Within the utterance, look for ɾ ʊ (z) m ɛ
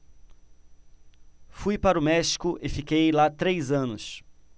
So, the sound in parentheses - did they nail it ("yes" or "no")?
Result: no